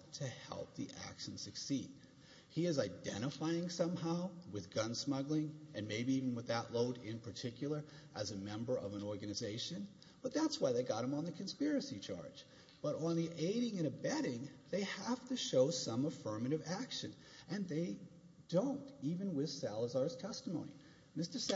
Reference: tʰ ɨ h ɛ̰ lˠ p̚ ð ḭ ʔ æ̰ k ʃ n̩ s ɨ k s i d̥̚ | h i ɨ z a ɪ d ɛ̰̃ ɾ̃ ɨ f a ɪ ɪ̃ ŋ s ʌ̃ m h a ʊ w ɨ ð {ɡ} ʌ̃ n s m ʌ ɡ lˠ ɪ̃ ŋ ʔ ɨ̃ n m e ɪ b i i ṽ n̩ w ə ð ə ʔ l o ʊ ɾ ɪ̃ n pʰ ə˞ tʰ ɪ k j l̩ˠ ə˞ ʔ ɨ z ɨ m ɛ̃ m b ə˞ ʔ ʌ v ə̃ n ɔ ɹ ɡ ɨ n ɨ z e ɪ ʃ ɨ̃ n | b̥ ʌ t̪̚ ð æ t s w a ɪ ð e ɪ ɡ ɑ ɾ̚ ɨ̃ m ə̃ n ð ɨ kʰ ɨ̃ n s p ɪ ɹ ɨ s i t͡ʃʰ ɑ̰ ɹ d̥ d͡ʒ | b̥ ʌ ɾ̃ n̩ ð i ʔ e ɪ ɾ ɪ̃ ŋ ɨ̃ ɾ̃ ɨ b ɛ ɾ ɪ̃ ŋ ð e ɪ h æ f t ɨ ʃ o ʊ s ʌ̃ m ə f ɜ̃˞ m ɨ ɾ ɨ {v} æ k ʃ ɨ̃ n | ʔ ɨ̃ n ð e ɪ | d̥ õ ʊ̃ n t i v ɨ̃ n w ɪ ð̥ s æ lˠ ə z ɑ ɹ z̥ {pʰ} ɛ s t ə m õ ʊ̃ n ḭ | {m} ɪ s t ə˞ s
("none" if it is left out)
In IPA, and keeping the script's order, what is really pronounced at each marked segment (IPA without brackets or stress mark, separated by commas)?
ɡ, v, tʰ, m